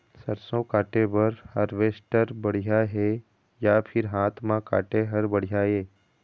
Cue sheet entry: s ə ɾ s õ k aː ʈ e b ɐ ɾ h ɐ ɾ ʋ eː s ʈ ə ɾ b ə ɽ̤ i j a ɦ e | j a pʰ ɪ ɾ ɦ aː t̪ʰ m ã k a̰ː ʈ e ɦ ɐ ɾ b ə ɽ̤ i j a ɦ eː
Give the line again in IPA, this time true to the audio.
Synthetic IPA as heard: s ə ɾ s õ k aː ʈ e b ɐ ɾ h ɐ ɾ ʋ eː s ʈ ə ɾ b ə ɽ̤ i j a ɦ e | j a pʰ ɪ ɾ ɦ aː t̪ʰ m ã k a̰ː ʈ e ɦ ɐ ɾ b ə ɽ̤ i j a ɦ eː